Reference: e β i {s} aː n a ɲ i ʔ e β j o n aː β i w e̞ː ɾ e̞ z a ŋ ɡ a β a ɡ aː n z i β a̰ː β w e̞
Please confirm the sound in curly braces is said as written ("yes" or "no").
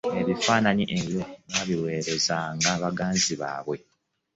no